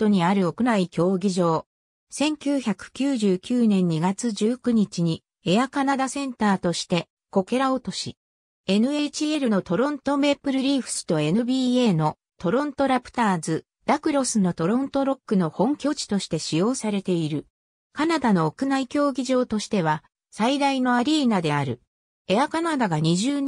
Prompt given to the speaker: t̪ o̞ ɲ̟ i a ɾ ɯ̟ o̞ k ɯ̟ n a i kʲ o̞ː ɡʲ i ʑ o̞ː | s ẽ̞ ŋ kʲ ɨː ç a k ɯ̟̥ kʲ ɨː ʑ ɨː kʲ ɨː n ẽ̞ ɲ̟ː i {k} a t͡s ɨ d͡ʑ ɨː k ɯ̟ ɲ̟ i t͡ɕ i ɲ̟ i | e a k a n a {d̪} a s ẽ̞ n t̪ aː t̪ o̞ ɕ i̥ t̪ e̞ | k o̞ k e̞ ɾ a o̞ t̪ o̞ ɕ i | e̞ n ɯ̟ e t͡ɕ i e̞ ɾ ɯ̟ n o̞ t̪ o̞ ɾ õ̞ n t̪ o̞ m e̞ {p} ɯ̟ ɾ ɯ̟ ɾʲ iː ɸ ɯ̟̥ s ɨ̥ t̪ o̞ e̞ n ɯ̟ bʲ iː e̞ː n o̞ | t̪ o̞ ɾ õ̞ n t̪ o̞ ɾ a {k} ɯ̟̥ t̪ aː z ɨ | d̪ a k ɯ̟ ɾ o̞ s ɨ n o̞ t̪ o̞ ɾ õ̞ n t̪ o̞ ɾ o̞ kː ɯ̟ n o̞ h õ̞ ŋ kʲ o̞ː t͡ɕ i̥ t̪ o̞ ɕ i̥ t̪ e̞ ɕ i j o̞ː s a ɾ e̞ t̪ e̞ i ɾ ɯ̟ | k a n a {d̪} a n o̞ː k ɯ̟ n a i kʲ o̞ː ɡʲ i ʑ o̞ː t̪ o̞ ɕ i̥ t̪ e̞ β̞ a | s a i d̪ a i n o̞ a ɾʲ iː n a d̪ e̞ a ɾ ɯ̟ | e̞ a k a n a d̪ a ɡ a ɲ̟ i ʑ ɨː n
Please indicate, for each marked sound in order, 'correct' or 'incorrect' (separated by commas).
incorrect, correct, correct, incorrect, correct